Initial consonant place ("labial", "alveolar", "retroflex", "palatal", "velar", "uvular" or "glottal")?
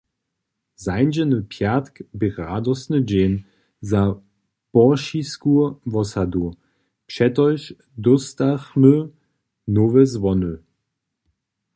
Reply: alveolar